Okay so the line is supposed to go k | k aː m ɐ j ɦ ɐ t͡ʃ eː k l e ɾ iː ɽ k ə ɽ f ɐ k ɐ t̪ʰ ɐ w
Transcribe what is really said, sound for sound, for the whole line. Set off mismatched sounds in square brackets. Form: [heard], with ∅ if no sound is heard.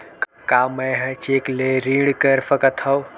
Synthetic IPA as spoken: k | k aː m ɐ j ɦ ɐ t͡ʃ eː k l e ɾ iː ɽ k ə [ɾ] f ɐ k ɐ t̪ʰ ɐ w

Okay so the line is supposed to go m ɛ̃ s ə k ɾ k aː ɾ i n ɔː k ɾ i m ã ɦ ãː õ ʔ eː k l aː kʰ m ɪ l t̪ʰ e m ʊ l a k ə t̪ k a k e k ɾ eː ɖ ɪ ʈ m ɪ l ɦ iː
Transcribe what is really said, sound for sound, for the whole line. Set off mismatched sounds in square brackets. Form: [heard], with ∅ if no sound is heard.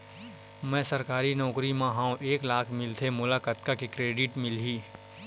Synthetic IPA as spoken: m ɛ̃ s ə [∅] ɾ k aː ɾ i n ɔː k ɾ i m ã ɦ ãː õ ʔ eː k l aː kʰ m ɪ l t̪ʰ e m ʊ l a k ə t̪ k a k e k ɾ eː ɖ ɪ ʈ m ɪ l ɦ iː

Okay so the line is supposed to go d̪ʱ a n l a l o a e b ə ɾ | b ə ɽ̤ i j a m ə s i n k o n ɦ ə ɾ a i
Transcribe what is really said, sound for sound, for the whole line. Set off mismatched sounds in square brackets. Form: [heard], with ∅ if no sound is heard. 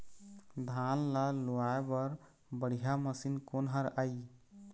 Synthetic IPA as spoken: d̪ʱ a n l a l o a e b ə ɾ | b ə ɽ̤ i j a m ə s i n k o n ɦ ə ɾ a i

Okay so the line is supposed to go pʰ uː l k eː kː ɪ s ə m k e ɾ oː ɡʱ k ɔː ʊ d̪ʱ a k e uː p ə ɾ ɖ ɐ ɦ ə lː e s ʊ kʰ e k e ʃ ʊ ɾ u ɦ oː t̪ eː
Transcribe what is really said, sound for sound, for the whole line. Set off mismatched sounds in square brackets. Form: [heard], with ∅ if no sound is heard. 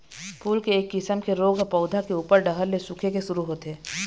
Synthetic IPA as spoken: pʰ uː l k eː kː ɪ s ə m k e ɾ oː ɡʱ [p] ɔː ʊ d̪ʱ a k e uː p ə ɾ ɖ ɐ ɦ ə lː e s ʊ kʰ e k e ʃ ʊ ɾ u ɦ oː t̪ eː

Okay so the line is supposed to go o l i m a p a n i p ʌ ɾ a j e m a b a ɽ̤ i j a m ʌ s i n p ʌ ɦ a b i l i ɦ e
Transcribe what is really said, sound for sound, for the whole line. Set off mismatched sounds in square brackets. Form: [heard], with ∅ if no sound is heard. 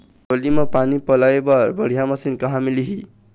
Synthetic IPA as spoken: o l i m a p a n i p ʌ [l] a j e [b] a b [ʌ] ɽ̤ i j a m ʌ s i n [k] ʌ ɦ a [m] i l i ɦ [i]

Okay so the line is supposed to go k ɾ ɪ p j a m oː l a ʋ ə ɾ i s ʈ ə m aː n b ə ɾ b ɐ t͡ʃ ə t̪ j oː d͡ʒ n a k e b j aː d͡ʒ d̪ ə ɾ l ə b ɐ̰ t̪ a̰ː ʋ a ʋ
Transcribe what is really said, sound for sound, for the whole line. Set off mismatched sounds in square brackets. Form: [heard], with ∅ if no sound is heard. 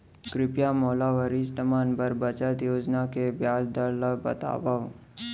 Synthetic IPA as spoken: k ɾ ɪ p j a m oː l a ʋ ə ɾ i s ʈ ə m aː n b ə ɾ b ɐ t͡ʃ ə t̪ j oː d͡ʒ n a k e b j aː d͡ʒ d̪ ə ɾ l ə b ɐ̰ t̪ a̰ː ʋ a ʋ

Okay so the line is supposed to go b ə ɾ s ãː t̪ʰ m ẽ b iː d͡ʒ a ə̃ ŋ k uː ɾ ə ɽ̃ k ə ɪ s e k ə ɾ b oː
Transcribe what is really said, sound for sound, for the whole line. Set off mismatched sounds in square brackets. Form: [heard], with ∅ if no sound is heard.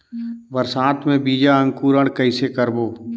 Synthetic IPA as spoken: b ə ɾ s [aː] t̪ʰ m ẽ b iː d͡ʒ a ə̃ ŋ k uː ɾ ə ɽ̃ k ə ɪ s e k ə ɾ b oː

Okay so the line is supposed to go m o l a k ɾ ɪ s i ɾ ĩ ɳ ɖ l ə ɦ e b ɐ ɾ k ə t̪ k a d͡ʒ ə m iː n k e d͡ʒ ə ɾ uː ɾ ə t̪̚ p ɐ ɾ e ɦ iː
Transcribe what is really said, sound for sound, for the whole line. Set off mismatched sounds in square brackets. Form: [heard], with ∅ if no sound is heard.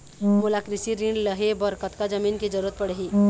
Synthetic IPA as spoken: m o l a k ɾ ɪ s i ɾ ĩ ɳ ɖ l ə ɦ e b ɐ ɾ k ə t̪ k a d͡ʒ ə m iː n k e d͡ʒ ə ɾ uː ɾ ə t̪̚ p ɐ [ɽ] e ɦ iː

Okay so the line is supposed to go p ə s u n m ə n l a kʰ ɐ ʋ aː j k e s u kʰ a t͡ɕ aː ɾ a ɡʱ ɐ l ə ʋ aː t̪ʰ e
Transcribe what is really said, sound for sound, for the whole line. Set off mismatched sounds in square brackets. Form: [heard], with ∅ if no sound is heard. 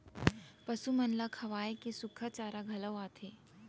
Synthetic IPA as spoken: p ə s u [∅] m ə n l a kʰ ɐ ʋ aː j k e s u kʰ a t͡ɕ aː ɾ a ɡʱ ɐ l ə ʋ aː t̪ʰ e

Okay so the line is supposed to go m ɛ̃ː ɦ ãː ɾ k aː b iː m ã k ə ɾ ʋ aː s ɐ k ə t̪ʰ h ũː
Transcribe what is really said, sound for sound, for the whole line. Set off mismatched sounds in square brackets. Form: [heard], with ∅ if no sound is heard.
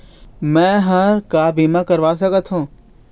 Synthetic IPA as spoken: m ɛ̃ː ɦ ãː ɾ k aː b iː m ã k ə ɾ ʋ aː s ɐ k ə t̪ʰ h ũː

